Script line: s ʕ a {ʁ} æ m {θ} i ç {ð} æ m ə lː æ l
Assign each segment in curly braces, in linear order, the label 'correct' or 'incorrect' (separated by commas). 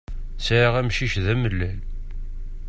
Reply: correct, incorrect, correct